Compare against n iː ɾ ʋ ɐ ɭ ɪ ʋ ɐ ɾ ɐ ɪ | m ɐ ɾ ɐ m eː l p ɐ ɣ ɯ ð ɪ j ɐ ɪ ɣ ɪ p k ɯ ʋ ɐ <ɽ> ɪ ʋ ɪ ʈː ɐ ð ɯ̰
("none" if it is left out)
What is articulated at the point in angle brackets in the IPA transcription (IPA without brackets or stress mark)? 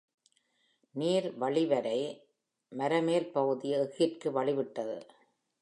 ɭ